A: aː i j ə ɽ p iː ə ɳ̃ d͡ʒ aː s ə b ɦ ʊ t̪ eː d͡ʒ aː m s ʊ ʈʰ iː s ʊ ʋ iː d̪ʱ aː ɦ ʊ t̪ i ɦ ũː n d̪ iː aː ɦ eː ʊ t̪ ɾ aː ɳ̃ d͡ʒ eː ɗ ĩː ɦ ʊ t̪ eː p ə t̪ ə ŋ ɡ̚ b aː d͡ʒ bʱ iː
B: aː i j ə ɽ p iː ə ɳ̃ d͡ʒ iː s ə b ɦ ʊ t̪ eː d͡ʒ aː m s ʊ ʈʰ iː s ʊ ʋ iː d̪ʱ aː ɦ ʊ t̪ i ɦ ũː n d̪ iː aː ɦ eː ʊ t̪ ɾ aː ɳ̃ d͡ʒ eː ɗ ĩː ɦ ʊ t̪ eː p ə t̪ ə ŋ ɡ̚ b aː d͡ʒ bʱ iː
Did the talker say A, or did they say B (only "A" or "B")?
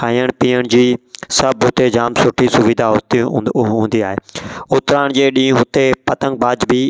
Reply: B